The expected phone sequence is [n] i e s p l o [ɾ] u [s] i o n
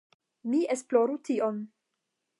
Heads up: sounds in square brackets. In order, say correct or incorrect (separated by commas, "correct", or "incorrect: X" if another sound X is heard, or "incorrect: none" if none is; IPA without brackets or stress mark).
incorrect: m, correct, incorrect: t